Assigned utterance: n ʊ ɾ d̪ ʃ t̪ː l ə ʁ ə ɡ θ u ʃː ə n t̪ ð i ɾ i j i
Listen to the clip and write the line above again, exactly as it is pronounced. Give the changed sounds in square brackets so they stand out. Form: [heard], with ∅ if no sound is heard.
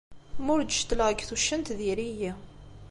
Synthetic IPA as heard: [m] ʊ ɾ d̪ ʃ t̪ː l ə ʁ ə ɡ θ u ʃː ə n t̪ ð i ɾ i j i